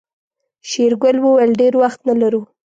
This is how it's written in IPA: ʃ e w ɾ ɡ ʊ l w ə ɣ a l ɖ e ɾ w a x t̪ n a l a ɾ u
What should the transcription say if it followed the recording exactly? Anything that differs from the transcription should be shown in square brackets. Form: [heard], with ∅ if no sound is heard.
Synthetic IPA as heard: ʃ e [∅] ɾ ɡ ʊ l w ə [w] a l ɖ e ɾ w a x t̪ n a l a ɾ u

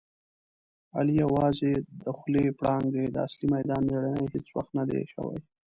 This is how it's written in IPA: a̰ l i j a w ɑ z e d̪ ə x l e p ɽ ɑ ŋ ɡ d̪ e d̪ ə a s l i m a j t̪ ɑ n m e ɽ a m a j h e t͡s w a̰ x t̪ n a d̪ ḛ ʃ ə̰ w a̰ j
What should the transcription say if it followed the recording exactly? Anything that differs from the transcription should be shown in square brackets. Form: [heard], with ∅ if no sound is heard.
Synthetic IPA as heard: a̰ l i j a w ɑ z e d̪ ə x l e p ɽ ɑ ŋ ɡ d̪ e d̪ ə a s l i m a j [d̪] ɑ n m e ɽ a [n] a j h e t͡s w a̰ x t̪ n a d̪ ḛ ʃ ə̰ w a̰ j

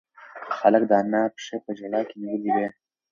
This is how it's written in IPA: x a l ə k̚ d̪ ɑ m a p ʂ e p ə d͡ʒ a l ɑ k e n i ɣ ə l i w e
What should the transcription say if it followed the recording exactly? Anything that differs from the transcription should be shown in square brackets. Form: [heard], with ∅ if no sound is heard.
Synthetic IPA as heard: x a l ə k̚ d̪ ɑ [n] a p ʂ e p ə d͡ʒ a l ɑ k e n i [w] ə l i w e

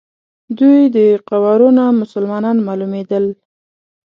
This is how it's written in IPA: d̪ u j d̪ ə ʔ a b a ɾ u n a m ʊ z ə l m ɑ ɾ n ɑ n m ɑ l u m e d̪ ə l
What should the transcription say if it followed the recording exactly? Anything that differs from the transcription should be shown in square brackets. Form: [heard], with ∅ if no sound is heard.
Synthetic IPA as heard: d̪ u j d̪ ə [q] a [w] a ɾ u n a m ʊ [s] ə l m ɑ [∅] n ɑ n m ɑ l u m e d̪ ə l

